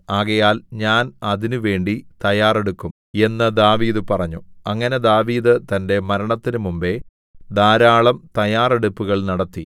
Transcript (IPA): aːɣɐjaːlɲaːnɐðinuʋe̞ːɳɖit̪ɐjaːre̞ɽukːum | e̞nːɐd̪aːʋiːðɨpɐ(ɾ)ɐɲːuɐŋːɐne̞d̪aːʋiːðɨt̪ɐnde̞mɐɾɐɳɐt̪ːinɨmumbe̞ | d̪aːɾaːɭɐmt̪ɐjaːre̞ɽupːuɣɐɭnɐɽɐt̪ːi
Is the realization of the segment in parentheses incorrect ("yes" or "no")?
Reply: yes